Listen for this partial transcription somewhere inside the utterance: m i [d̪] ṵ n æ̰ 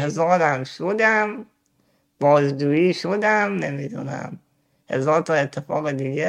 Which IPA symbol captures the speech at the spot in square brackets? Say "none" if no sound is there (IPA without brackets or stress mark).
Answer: d̪